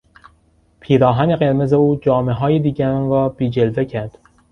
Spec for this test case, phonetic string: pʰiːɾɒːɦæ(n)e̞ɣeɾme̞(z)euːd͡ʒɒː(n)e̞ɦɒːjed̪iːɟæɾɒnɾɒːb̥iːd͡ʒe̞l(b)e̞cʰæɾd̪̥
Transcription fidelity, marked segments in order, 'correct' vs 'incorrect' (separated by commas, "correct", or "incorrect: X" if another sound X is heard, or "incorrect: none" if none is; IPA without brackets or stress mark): correct, correct, incorrect: m, incorrect: v